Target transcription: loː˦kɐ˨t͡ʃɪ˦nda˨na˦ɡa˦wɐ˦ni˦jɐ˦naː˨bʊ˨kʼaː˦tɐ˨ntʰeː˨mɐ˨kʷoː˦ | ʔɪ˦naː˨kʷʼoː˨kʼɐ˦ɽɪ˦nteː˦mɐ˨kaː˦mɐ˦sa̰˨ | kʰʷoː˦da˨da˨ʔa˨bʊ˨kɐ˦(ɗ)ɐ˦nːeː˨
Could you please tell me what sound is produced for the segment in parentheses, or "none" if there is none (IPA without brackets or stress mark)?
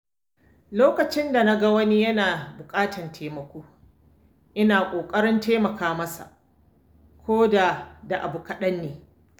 ɗ